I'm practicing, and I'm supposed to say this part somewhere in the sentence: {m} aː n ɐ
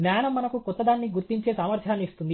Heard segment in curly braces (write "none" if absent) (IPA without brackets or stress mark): n